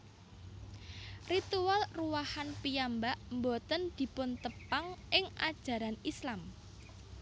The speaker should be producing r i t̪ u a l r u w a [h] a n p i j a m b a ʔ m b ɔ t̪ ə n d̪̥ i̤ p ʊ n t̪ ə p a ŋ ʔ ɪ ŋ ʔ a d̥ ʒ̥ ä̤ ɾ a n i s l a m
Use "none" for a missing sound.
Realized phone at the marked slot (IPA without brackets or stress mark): h